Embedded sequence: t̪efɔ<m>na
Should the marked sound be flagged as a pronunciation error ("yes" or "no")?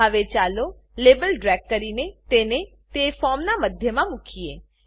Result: no